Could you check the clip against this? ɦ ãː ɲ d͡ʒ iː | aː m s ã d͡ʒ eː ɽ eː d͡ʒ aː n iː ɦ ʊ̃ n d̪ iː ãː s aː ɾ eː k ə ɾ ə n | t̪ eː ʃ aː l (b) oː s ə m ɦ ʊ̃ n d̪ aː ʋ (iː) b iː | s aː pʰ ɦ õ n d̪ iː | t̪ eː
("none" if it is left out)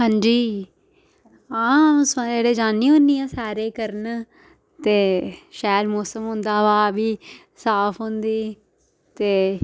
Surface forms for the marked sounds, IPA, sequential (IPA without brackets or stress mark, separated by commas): m, aː